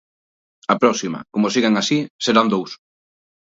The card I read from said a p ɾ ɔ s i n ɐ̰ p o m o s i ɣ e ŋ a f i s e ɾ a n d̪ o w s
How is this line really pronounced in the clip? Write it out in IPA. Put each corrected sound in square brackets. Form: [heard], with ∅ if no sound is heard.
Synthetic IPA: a p ɾ ɔ s i [m] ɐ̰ [k] o m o s i ɣ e ŋ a [s] i s e ɾ a n d̪ o w s

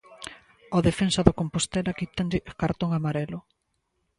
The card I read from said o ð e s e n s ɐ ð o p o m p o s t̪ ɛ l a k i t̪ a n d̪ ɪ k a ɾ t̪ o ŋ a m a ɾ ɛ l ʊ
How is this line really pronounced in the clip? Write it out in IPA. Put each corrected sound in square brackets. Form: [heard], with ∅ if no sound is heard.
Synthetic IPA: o ð e [f] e n s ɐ ð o [k] o m p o s t̪ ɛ l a k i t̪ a n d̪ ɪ k a ɾ t̪ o ŋ a m a ɾ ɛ l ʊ

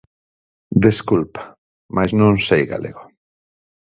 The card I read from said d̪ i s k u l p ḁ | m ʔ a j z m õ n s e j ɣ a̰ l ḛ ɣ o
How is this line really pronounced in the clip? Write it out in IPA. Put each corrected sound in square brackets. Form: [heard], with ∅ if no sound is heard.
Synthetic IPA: d̪ [e] s k u l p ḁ | m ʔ a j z [n] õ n s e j ɣ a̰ l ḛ ɣ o

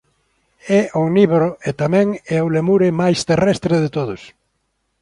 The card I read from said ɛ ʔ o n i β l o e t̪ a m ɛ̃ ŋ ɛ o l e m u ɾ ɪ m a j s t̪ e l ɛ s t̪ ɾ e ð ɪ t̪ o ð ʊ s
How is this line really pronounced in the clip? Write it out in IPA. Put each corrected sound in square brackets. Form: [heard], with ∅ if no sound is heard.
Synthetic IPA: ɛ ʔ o n i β [ɾ] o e t̪ a m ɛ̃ ŋ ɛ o l e m u ɾ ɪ m a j s t̪ e [r] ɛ s t̪ ɾ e ð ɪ t̪ o ð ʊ s

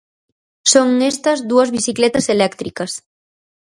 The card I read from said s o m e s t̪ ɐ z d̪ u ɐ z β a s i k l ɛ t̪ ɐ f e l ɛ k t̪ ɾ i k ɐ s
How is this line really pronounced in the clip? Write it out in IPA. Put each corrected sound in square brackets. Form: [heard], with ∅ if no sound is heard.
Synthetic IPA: s o [ŋ] e s t̪ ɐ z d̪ u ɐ z β [i] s i k l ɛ t̪ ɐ [s] e l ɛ k t̪ ɾ i k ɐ s

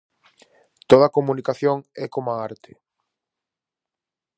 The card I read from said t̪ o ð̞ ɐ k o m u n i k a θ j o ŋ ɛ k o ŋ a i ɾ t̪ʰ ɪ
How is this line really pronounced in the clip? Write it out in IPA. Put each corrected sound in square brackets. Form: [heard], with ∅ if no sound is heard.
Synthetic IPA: t̪ o ð̞ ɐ k o m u n i k a θ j o ŋ ɛ k o [m] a [a] ɾ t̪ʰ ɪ

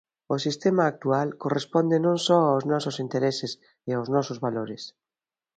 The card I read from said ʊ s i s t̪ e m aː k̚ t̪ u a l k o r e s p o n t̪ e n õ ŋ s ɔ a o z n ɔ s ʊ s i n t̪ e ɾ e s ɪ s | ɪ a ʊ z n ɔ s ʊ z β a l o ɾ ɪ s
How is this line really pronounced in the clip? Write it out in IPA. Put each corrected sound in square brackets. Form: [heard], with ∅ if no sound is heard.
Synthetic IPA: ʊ s i s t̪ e m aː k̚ t̪ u a l k o r e s p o n [d̪] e n õ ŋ s ɔ a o z n ɔ s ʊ s i n t̪ e ɾ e s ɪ s | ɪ a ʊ z n ɔ s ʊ z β a l o ɾ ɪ s

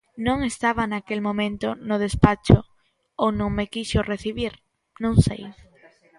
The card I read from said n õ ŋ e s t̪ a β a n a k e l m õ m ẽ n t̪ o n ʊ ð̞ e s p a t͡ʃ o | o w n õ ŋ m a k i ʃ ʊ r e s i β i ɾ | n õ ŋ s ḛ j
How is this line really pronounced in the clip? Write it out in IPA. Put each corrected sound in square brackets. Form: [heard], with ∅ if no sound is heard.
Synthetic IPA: n õ ŋ e s t̪ a β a n a k e l m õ m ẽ n t̪ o n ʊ ð̞ e s p a t͡ʃ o | o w n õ ŋ m [e] k i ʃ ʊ r e [θ] i β i ɾ | n õ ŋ s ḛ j

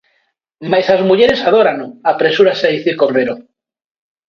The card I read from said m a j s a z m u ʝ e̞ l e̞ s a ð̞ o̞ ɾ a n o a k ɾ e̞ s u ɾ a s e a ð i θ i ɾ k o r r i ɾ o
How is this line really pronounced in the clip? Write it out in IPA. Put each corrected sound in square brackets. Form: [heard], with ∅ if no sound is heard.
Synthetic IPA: m a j s a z m u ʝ e̞ [ɾ] e̞ s a ð̞ o̞ ɾ a n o a [p] ɾ e̞ s u ɾ a s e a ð i θ i ɾ k o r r [e] ɾ o

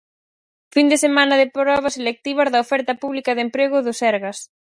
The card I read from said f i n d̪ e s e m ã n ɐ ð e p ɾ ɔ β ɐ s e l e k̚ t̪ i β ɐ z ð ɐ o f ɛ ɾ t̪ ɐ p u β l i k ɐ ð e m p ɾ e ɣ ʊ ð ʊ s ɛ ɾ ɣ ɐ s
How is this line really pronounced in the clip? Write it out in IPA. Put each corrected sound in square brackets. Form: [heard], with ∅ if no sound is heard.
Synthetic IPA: f i n d̪ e s e m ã n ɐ ð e p ɾ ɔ β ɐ s e l e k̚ t̪ i β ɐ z ð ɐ o f ɛ ɾ t̪ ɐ p u β l i k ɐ ð e m p ɾ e ɣ ʊ ð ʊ s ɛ ɾ ɣ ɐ s

